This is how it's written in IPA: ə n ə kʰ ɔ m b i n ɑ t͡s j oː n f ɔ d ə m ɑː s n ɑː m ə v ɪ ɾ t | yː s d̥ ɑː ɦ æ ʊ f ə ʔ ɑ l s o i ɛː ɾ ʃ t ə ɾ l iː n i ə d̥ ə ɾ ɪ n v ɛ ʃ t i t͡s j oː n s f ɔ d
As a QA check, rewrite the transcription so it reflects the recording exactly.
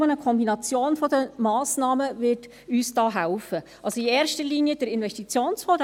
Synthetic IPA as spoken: ə n ə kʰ ɔ m b i n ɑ t͡s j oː n f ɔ d ə m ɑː s n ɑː m ə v ɪ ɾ t | yː s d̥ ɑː ɦ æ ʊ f ə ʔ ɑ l s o i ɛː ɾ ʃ t ə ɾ l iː n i ə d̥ ə ɾ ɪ n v ɛ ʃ t i t͡s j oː n s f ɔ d